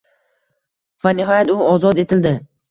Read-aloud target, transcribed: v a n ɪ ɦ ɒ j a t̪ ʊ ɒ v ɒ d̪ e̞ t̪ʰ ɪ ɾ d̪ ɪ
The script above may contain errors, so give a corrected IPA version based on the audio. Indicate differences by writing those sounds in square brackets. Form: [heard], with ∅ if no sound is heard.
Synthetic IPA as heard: v a n ɪ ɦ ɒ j a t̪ ʊ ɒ [z] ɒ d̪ e̞ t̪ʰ ɪ [l] d̪ ɪ